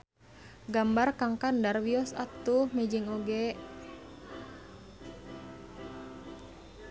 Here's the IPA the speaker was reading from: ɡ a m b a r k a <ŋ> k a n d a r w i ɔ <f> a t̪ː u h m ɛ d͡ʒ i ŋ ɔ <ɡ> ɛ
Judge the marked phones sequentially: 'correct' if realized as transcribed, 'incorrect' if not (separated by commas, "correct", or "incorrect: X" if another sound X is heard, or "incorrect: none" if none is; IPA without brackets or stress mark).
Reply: correct, incorrect: s, correct